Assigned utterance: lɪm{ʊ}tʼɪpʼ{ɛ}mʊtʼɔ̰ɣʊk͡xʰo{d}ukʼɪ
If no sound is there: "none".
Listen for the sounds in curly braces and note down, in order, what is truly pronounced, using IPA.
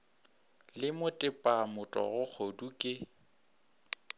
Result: ʊ, a, d

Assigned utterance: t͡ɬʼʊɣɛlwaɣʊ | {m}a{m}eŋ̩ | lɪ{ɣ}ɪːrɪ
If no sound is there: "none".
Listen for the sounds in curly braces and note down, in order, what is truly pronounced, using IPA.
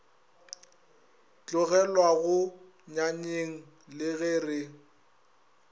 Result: ɲ, ɲ, ɣ

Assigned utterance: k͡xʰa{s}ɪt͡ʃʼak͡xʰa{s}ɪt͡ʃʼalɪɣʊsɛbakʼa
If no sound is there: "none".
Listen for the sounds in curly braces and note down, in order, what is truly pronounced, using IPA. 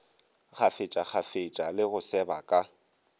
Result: f, f

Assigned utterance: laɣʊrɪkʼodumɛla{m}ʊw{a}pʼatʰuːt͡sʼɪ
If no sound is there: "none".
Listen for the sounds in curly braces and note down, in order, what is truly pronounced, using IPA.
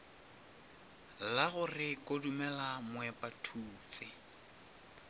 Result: m, ɛ

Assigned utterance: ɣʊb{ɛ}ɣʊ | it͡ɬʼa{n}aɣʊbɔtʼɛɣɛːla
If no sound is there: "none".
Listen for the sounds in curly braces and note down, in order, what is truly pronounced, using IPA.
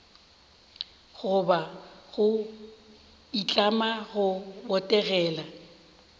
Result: a, m

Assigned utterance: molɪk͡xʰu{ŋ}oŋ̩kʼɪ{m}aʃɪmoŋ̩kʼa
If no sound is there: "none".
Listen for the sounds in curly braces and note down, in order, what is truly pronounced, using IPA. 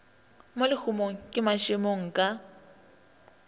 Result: m, m

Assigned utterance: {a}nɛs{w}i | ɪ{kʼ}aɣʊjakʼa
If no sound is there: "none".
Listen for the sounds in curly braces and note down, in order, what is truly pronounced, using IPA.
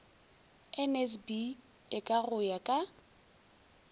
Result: ɛ, b, kʼ

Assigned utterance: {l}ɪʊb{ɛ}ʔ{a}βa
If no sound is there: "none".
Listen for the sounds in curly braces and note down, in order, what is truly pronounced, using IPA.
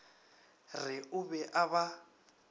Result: r, ɛ, a

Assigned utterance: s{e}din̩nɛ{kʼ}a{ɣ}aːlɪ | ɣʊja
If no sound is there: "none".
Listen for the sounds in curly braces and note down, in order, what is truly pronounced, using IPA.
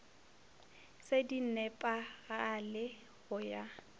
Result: e, pʼ, ɣ

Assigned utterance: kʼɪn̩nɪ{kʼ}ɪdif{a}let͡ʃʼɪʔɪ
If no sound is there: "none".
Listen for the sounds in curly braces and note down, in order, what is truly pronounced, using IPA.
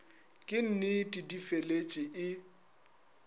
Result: tʼ, e

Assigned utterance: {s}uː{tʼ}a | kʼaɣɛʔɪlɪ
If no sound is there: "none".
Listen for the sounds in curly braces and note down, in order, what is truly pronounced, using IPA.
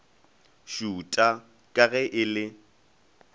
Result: ʃ, tʼ

